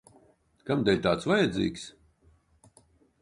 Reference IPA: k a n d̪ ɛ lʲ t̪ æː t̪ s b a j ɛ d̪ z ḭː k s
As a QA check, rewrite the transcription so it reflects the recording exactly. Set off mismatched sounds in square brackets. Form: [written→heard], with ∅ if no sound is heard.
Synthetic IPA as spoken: k a [n→m] d̪ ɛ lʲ t̪ [æː→aː] t̪ s [b→v] a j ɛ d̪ z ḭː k s